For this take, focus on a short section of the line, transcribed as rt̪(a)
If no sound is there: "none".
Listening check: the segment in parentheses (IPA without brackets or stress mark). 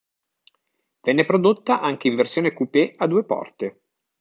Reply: e